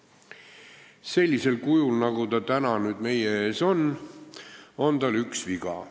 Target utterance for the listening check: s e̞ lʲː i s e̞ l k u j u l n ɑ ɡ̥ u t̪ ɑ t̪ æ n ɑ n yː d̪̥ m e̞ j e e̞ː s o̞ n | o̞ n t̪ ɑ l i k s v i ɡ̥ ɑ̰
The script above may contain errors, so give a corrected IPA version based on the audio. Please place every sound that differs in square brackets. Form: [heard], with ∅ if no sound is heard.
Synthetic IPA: s e̞ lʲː i s e̞ l k u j u l n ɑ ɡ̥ u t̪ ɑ t̪ æ n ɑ n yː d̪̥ m e̞ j e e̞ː s o̞ n | o̞ n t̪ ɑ l [y] k s v i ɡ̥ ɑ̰